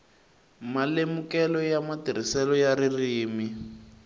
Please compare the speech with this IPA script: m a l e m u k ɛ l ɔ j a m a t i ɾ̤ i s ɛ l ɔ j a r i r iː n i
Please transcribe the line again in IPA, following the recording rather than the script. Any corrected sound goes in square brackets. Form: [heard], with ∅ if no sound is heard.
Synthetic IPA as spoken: m a l e m u k ɛ l ɔ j a m a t i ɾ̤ i s ɛ l ɔ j a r i r iː [m] i